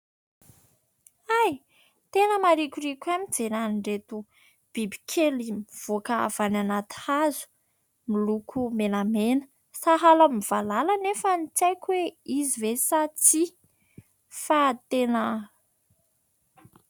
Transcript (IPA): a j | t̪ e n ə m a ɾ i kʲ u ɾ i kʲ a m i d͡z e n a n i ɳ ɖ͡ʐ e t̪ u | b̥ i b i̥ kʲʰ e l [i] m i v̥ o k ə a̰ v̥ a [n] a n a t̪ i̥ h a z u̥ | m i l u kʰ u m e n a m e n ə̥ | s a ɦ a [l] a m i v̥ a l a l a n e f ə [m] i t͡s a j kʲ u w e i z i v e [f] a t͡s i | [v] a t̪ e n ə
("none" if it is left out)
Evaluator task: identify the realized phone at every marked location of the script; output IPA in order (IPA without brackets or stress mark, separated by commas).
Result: i, n, l, n, s, f